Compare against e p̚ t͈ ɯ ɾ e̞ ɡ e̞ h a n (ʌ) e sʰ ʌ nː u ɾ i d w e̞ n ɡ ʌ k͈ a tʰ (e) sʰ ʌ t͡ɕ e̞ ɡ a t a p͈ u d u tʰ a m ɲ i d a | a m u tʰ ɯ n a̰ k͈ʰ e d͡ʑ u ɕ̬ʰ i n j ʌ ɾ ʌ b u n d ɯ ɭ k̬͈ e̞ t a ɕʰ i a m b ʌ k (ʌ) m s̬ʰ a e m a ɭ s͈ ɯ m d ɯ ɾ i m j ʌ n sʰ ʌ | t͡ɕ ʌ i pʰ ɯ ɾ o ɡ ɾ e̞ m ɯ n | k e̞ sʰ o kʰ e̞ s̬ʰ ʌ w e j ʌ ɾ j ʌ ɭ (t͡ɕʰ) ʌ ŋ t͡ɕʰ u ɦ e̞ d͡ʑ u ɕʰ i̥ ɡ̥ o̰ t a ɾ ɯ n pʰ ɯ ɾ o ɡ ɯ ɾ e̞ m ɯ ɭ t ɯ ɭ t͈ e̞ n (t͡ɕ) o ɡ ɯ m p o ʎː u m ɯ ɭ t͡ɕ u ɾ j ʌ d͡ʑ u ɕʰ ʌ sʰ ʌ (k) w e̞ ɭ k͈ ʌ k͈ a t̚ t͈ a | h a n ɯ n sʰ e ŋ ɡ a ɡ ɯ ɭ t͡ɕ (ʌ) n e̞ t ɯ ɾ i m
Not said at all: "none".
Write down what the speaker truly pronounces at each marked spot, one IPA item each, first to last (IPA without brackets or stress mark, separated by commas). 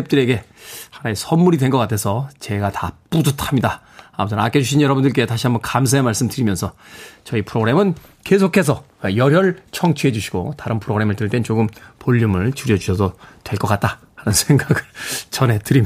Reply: a, e, a, t͡ɕʰ, t͡ɕ, t, ʌ